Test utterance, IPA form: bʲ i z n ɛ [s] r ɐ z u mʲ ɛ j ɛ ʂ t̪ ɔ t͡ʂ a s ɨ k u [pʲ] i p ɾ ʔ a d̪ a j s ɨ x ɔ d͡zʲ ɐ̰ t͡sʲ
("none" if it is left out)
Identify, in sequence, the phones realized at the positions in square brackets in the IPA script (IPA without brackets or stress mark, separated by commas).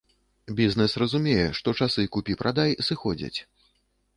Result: s, pʲ